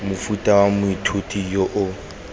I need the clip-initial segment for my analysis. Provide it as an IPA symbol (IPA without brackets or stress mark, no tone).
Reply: m